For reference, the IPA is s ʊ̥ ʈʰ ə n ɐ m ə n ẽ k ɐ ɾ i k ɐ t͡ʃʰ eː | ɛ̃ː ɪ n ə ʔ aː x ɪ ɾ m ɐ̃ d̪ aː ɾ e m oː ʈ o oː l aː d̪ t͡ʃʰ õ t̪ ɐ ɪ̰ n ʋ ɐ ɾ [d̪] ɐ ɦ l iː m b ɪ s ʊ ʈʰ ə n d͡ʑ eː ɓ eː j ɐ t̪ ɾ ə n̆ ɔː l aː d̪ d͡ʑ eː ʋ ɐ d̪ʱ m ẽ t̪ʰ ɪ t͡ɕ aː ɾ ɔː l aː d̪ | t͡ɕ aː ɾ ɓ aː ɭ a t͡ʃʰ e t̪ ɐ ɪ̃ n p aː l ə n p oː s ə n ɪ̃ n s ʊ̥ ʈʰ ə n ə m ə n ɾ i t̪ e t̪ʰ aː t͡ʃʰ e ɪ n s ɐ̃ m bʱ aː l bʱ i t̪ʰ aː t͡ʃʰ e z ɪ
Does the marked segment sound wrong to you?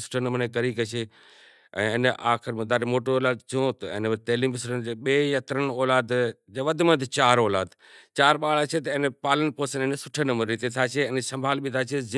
yes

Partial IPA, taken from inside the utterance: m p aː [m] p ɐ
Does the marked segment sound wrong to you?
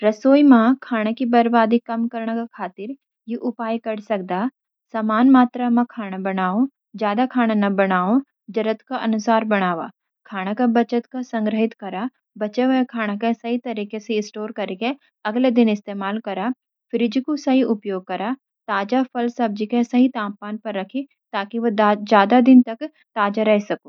yes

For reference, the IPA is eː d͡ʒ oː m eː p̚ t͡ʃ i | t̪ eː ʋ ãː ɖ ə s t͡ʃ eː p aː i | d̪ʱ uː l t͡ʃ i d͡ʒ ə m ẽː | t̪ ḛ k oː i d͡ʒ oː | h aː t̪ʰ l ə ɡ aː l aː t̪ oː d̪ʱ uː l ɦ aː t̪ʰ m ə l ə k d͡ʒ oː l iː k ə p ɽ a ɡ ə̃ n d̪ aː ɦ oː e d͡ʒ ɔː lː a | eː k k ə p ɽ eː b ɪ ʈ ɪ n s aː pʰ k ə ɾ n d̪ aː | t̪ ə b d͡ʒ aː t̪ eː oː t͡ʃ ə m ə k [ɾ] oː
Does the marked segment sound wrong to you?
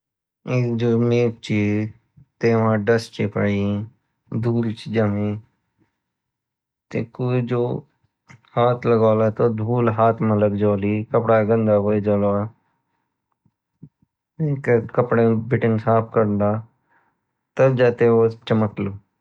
yes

